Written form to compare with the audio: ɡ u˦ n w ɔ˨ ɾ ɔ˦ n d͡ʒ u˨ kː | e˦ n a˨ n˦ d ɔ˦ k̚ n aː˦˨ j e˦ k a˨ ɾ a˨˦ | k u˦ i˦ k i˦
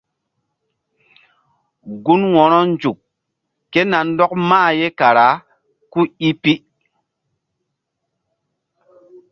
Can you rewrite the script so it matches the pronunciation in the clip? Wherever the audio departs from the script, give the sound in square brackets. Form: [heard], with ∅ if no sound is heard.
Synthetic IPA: ɡ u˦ n w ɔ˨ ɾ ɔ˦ n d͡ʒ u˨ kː | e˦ n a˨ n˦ d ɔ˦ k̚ [m] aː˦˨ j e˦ k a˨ ɾ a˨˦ | k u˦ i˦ [p] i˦